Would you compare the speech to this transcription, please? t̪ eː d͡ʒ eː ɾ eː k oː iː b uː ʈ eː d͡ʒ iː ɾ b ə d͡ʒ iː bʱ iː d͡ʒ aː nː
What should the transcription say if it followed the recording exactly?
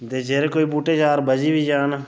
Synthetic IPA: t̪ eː d͡ʒ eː ɾ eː k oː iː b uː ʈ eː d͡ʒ aː ɾ b ə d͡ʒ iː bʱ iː d͡ʒ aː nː